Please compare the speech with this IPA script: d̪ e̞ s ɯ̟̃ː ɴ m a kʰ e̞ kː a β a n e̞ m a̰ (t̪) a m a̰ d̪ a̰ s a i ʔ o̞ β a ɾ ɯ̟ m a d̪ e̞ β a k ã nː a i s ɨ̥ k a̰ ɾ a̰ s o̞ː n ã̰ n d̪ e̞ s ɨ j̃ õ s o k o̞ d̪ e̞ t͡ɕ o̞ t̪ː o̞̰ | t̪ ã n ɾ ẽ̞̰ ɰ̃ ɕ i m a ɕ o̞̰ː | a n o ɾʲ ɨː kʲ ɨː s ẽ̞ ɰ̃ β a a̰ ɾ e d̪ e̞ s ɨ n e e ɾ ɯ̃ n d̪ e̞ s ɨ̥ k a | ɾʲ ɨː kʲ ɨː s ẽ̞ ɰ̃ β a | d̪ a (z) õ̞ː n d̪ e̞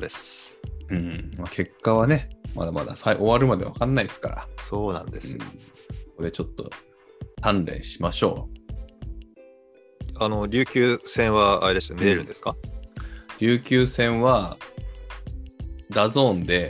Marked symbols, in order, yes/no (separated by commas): no, yes